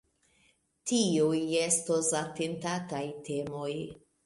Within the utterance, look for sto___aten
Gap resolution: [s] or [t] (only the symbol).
s